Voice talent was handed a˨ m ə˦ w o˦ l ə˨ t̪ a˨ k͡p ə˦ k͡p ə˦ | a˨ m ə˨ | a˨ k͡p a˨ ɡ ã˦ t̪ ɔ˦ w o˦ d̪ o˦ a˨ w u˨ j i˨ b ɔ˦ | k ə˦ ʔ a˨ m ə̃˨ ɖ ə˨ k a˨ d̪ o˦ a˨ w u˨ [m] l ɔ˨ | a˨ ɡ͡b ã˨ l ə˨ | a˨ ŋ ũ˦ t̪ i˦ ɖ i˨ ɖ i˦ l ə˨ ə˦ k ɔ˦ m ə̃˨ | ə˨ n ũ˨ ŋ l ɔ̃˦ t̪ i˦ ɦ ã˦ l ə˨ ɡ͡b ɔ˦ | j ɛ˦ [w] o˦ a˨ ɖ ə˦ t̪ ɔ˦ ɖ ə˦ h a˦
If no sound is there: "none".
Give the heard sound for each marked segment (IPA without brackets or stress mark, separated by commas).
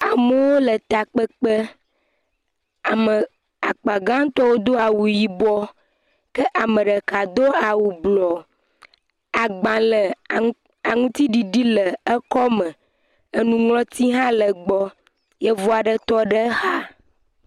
b, v